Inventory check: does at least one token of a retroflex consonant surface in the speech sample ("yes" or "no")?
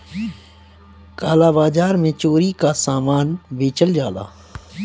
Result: no